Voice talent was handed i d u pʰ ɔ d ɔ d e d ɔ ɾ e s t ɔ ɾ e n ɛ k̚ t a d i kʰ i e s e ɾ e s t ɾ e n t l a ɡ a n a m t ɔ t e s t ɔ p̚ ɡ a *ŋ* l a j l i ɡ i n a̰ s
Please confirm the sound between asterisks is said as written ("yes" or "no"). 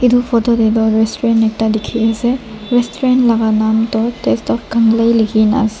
yes